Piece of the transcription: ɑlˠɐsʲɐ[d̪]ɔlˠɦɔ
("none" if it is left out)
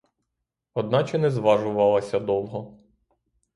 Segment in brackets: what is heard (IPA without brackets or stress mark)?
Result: d̪